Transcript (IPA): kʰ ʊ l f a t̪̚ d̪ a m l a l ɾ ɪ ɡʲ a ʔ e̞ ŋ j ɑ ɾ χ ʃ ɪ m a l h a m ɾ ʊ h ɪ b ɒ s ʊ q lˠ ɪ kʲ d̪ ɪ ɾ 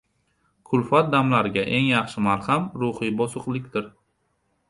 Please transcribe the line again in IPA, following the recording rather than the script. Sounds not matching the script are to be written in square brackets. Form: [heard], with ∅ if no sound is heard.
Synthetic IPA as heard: kʰ ʊ l f a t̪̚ d̪ a m l a [∅] ɾ ɪ ɡʲ a ʔ e̞ ŋ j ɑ [∅] χ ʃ ɪ m a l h a m ɾ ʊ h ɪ b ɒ s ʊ q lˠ ɪ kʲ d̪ ɪ ɾ